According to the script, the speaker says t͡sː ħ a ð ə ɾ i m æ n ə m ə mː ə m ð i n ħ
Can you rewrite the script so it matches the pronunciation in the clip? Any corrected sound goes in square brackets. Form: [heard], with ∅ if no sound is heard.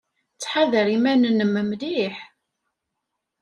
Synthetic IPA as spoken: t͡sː ħ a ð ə ɾ i m æ n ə [n] ə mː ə m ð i [∅] ħ